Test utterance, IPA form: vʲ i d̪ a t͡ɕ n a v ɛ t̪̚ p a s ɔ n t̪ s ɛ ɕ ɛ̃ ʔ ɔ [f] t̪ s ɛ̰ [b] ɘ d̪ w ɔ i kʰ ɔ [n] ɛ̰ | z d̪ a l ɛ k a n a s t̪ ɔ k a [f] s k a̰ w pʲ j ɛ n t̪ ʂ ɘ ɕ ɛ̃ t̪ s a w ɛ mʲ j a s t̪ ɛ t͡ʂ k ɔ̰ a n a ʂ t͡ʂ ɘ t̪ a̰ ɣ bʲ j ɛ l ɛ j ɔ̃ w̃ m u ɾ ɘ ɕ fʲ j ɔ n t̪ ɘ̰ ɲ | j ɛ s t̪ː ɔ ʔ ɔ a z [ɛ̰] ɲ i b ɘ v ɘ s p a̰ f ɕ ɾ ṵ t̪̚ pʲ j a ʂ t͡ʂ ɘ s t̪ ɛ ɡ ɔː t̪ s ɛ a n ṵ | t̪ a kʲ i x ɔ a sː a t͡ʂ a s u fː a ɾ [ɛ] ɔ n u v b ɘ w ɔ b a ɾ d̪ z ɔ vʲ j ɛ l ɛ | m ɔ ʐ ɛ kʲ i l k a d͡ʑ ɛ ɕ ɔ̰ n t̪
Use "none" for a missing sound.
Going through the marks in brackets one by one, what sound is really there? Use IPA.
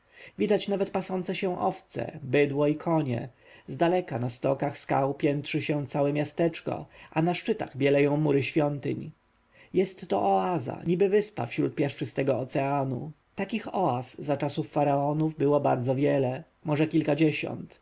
f, b, ɲ, x, a̰, a

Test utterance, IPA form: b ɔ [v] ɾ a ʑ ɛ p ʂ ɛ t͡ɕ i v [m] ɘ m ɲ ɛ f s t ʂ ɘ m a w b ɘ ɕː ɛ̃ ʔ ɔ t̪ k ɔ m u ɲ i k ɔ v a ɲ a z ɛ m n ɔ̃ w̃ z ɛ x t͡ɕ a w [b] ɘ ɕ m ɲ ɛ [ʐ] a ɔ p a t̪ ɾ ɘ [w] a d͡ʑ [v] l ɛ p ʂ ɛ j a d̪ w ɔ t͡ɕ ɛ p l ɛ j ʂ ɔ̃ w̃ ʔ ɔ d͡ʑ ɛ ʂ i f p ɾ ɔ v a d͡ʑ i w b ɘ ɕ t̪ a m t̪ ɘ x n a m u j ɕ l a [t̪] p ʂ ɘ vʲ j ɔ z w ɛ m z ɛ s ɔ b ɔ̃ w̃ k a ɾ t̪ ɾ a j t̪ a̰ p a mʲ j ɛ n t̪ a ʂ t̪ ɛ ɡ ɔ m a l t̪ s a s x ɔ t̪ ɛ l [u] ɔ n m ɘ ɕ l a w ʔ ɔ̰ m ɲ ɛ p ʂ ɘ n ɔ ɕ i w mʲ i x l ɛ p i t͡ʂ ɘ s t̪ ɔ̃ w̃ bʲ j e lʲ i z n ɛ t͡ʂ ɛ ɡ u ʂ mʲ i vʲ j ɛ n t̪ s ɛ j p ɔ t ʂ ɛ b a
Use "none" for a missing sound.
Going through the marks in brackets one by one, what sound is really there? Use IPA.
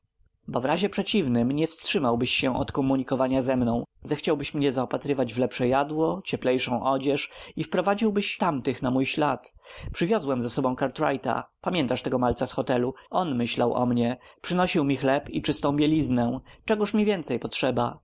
v, n, b, z, v, v, t̪, u

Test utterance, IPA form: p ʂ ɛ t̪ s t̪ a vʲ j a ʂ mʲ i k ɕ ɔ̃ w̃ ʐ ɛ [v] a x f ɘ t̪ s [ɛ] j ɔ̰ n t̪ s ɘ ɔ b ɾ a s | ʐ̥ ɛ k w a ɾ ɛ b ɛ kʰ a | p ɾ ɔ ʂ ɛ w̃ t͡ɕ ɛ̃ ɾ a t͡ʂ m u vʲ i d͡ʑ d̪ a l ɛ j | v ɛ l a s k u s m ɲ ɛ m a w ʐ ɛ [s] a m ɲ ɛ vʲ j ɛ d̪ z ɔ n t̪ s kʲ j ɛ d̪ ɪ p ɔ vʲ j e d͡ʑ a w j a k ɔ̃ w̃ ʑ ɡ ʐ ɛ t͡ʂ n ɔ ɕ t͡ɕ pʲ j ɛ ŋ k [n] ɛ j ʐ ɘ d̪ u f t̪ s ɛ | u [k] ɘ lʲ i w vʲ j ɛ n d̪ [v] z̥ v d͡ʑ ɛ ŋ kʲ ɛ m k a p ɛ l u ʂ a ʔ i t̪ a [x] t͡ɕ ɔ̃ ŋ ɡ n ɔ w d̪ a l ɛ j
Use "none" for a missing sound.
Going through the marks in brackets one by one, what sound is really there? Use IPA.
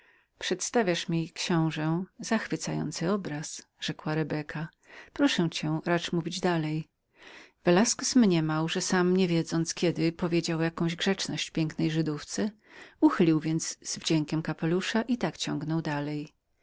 z, a, s, n, x, z, k

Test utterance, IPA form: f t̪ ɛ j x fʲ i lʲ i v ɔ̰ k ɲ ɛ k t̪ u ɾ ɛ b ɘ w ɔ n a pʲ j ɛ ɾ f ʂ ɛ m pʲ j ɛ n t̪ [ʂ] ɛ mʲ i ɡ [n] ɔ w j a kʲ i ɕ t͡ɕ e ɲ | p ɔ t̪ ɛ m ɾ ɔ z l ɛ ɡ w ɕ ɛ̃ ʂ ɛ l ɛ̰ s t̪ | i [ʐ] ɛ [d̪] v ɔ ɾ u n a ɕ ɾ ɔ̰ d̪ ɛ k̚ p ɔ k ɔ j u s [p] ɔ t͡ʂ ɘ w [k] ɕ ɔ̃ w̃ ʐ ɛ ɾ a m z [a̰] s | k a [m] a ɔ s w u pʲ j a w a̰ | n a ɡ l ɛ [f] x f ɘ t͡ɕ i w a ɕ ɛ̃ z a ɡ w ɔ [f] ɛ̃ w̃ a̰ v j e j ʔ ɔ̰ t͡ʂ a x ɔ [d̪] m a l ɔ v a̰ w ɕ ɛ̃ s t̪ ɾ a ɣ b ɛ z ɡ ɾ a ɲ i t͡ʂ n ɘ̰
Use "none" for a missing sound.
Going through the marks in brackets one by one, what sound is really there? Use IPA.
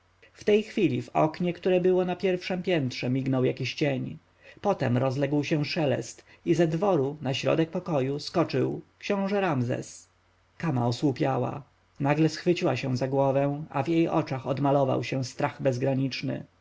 ʂ, n, z, d̪, k, k, ɛ̰, m, s, v, d̪

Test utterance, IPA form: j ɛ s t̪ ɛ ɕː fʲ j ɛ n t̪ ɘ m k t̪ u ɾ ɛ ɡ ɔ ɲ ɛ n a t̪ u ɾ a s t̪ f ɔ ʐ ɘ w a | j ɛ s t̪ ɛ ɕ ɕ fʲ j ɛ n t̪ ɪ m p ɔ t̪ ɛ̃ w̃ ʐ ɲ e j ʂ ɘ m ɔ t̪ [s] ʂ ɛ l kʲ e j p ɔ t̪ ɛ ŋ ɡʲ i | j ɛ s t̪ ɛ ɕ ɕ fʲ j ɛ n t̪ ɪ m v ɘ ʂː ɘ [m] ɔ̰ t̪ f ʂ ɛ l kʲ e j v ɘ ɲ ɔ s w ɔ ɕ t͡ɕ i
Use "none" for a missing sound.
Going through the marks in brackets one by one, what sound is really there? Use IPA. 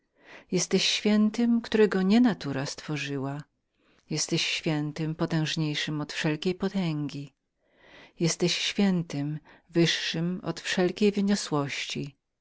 f, m

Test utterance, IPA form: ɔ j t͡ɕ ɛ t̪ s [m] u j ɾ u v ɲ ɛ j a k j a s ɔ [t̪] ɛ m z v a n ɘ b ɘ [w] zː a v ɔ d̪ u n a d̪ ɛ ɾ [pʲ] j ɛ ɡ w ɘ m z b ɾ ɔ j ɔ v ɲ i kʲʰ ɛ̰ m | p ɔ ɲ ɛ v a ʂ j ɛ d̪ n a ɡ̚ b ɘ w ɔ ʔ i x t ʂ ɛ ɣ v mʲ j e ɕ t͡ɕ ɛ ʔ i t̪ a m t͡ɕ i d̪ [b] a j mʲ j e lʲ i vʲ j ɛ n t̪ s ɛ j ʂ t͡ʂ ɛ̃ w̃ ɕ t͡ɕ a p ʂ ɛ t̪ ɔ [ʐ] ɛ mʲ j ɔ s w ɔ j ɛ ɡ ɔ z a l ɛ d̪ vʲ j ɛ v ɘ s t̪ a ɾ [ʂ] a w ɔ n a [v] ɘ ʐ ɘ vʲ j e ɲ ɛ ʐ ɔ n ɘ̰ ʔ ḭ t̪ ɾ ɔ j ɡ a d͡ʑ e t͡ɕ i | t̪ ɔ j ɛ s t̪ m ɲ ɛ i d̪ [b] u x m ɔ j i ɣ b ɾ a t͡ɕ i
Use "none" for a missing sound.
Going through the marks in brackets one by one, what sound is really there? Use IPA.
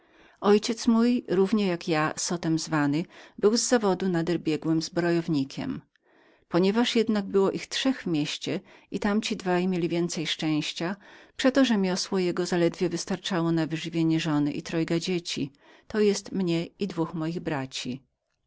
m, t̪, w, bʲ, v, ʐ, t͡ʂ, v, v

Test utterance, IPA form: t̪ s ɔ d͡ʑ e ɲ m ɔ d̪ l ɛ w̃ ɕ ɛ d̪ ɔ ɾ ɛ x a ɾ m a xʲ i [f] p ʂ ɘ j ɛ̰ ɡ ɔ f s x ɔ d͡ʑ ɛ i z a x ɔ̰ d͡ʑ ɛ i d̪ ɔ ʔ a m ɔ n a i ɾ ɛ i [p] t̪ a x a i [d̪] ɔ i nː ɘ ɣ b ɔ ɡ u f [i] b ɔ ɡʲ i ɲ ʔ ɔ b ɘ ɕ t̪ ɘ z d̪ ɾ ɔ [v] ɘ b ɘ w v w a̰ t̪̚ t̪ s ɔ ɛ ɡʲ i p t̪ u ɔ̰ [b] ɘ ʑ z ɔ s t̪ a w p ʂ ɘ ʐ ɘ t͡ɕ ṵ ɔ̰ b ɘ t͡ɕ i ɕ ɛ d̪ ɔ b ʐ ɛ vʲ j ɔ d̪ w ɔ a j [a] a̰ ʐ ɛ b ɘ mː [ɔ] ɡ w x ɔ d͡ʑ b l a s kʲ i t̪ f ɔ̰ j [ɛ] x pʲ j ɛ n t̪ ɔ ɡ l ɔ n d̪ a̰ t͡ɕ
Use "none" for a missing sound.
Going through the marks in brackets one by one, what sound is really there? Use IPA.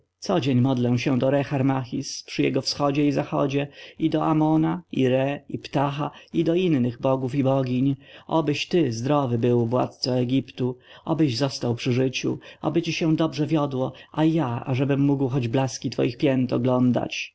s, p, d̪, i, v, b, a, u, i

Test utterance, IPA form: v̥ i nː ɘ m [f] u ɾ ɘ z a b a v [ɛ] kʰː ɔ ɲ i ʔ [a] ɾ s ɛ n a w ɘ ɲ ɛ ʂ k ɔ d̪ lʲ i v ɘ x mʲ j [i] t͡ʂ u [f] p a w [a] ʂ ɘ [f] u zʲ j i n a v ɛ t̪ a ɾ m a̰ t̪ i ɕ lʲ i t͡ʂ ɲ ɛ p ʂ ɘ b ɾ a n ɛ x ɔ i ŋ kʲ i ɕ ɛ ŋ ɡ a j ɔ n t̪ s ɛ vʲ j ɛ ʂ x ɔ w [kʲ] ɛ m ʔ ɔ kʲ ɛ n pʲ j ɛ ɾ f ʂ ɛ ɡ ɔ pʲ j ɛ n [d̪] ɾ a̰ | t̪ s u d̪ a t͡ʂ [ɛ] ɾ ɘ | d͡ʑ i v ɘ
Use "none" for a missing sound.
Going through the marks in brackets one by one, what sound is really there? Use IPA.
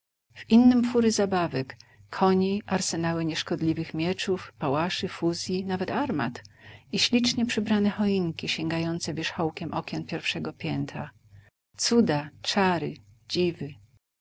f, ɛ, a, ɛ, f, a, f, kʲ, t̪, a

